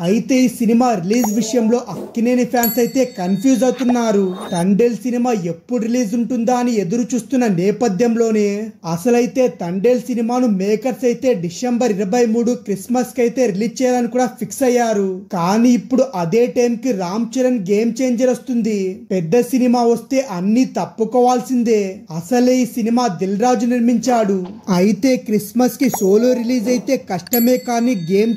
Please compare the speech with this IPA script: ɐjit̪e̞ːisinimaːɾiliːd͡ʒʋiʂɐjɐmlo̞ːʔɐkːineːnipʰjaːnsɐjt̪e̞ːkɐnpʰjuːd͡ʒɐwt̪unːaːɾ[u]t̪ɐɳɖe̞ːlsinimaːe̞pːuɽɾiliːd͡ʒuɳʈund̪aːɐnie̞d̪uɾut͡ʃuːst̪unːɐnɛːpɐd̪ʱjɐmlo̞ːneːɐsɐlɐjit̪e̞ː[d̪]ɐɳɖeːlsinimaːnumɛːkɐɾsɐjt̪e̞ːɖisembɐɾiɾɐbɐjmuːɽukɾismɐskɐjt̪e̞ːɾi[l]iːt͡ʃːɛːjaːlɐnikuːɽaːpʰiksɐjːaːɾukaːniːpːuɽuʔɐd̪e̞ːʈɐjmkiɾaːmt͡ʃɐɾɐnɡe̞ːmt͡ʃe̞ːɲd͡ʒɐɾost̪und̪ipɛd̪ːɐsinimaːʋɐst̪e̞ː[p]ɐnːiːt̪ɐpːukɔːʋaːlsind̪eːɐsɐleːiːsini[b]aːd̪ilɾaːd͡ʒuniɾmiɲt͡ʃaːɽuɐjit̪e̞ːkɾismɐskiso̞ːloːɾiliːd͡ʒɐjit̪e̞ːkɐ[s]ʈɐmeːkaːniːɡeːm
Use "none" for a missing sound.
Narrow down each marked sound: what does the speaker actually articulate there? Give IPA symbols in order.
u, t̪, l, ʔ, m, ʂ

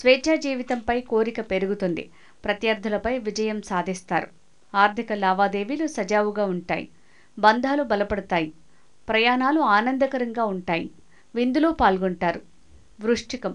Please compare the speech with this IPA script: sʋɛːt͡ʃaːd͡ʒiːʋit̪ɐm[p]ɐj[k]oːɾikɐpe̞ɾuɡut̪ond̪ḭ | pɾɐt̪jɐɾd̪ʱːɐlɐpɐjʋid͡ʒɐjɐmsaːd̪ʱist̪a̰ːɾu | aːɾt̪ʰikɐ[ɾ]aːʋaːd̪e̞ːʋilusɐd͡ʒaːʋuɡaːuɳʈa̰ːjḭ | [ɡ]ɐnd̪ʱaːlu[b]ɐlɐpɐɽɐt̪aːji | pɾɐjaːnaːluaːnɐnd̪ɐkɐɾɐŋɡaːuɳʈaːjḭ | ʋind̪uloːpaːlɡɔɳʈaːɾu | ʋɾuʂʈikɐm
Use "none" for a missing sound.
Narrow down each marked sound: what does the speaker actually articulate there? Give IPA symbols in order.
p, k, l, b, b

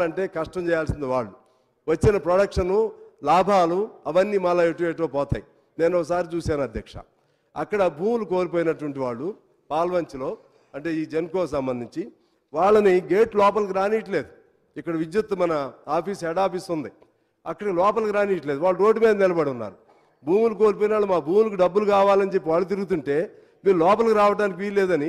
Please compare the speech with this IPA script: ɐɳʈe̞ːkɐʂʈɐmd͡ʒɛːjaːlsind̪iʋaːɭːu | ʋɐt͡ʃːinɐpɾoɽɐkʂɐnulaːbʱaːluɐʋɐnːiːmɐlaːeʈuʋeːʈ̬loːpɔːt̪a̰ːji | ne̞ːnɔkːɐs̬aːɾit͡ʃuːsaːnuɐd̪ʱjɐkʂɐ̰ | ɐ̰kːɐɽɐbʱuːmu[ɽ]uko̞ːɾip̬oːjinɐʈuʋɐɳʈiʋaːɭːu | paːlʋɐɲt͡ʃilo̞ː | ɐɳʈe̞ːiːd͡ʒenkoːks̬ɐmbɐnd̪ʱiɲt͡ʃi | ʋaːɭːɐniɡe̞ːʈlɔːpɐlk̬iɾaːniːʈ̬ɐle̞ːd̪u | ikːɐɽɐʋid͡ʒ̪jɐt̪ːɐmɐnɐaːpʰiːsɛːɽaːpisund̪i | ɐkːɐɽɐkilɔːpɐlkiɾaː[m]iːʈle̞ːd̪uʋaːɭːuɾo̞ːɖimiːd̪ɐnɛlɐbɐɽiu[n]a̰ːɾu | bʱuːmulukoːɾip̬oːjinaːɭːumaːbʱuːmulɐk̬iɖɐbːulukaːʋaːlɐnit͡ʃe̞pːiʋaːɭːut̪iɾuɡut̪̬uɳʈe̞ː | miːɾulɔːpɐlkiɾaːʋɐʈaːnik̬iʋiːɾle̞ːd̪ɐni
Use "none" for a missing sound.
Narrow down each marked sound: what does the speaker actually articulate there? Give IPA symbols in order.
l, n, nː

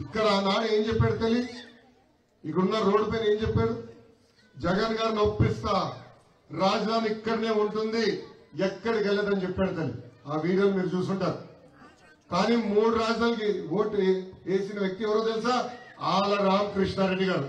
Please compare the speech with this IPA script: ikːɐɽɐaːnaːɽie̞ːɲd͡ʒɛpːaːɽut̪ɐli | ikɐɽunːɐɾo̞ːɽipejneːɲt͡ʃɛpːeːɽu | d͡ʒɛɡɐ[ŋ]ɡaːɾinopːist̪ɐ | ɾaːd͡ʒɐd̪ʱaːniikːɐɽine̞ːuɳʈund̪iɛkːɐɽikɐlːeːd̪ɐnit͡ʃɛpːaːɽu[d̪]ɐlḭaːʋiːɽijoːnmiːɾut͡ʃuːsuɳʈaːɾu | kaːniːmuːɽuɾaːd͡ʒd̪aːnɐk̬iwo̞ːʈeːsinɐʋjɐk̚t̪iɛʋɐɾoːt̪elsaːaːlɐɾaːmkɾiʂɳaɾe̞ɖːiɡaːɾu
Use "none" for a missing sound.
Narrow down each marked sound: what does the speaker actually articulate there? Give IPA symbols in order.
n, t̪

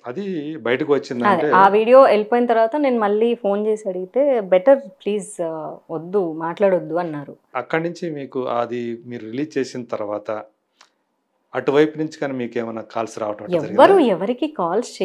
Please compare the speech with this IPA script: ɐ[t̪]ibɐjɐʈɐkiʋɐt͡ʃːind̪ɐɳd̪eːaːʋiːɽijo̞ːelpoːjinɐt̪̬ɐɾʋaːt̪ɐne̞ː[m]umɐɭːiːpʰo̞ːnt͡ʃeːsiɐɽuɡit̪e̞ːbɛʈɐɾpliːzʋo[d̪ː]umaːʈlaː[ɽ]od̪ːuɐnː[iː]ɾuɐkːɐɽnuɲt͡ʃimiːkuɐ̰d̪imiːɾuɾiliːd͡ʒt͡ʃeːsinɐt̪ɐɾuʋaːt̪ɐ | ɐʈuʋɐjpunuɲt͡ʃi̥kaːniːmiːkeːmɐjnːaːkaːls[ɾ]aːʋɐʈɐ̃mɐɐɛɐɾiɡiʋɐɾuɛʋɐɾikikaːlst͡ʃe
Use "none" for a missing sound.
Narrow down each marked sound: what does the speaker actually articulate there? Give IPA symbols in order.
d̪, n, d̪ː, ɽ, aː, ɾ

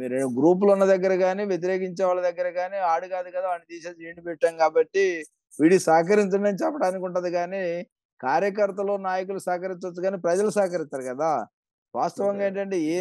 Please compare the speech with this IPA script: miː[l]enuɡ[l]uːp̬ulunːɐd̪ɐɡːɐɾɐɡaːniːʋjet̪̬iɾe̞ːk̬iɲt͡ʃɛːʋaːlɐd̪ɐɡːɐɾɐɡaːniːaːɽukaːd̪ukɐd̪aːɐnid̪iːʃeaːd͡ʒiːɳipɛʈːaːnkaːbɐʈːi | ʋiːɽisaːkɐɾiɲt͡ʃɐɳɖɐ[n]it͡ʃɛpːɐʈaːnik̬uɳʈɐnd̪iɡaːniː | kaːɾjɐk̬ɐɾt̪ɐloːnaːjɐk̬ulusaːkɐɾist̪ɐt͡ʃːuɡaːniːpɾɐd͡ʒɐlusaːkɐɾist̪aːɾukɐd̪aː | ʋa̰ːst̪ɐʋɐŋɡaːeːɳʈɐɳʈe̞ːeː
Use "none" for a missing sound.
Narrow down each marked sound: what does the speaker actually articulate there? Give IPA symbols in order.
ɾ, ɾ, n

